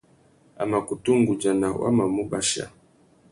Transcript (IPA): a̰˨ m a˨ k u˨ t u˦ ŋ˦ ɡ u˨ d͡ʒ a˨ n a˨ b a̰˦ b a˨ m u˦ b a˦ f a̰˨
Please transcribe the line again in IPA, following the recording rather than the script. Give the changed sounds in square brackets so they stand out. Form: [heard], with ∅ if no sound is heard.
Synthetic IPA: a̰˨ m a˨ k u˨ t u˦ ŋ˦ ɡ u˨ d͡ʒ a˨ n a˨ [w] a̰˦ [m] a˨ m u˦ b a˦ [ʃ] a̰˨